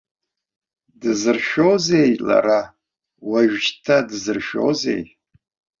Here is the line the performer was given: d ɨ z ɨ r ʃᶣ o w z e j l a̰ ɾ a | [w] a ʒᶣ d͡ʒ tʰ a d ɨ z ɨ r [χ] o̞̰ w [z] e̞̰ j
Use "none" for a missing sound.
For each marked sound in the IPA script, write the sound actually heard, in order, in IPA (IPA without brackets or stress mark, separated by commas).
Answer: w, ʃ, z